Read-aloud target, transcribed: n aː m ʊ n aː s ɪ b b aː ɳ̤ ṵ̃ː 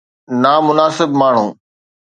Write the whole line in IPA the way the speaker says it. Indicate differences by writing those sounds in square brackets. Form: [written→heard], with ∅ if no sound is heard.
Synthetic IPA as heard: n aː m ʊ n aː s ɪ b [b→m] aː ɳ̤ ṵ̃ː